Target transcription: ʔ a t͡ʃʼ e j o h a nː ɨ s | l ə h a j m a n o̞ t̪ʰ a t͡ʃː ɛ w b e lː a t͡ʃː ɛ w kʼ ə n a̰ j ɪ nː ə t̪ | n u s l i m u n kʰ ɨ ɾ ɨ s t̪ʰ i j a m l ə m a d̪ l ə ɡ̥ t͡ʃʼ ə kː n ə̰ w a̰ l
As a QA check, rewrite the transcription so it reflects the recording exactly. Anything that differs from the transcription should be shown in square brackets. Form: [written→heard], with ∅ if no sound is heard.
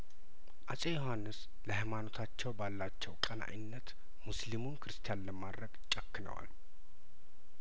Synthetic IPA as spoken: ʔ a t͡ʃʼ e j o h a nː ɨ s | l ə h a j m a n o̞ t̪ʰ a t͡ʃː ɛ w b [e→a] lː a t͡ʃː ɛ w kʼ ə n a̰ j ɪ nː ə t̪ | [n→m] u s l i m u n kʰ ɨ ɾ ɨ s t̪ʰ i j a [m→n] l ə m a d̪ [l→ɾ] ə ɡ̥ t͡ʃʼ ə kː n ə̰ w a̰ l